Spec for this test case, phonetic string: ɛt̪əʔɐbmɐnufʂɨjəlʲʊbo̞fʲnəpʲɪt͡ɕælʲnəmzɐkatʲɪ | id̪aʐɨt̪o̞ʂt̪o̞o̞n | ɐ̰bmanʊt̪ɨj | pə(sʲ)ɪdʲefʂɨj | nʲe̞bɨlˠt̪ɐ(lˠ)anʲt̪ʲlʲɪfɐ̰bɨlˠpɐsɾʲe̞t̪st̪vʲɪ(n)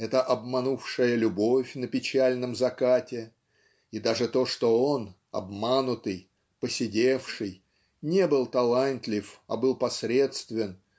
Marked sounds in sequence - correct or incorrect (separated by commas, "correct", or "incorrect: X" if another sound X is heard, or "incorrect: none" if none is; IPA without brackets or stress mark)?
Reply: correct, correct, correct